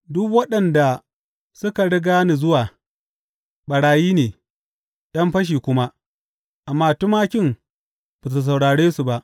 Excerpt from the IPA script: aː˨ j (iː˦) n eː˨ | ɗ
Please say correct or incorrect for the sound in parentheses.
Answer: correct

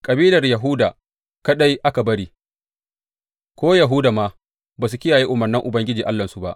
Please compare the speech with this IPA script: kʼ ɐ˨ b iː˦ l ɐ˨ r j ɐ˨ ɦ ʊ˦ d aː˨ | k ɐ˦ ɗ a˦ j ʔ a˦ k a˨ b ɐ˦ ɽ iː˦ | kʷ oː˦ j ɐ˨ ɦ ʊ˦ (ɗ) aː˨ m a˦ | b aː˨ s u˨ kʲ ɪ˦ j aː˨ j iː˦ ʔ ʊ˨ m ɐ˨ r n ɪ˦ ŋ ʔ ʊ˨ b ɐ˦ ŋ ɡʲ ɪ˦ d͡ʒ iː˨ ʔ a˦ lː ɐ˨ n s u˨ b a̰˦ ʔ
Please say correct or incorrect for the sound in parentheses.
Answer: incorrect: d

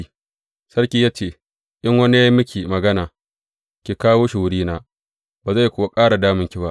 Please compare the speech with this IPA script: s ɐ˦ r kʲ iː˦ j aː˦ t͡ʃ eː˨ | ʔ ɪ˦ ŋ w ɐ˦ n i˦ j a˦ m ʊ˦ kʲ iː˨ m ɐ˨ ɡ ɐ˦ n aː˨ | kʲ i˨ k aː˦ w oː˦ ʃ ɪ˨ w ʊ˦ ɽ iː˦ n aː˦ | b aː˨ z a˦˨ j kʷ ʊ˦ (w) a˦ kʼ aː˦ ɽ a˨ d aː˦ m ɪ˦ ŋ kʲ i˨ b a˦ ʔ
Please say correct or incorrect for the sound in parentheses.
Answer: correct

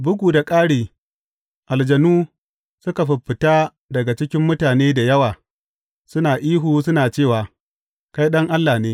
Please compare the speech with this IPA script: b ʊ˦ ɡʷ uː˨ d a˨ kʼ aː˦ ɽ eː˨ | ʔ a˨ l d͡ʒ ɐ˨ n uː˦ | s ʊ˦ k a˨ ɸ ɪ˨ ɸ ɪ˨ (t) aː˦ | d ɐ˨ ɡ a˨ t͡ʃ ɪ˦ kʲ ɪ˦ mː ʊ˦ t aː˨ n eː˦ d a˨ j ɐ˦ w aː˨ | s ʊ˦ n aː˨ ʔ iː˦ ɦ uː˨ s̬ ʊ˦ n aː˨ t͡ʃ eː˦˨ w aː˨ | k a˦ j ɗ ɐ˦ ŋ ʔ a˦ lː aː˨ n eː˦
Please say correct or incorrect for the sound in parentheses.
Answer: correct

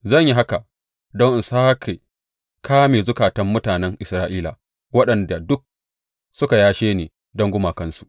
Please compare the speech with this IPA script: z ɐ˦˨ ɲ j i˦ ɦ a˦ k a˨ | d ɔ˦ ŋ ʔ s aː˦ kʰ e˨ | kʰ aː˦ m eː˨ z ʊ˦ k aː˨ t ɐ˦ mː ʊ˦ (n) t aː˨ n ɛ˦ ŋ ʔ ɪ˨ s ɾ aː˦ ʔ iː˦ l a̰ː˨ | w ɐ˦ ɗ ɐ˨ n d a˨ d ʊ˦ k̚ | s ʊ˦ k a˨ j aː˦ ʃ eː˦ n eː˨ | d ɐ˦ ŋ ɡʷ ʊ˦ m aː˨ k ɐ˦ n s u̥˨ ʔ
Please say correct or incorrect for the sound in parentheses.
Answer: incorrect: none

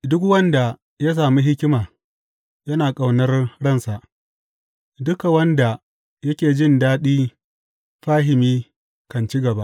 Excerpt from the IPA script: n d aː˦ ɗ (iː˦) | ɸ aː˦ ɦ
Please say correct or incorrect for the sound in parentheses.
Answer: correct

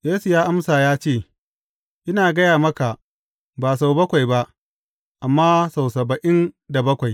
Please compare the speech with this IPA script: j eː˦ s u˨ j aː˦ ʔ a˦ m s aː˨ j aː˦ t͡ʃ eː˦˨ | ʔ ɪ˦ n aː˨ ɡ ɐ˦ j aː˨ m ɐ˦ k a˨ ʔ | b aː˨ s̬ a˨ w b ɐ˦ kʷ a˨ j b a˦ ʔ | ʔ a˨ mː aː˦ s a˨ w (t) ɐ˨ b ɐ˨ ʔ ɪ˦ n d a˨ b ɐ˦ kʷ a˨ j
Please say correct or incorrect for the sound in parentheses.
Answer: incorrect: s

